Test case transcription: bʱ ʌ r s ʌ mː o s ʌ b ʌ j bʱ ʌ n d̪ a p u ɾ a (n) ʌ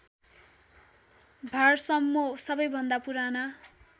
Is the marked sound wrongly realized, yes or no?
no